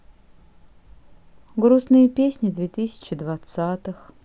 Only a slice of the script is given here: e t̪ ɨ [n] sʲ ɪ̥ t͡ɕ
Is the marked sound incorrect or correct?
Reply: incorrect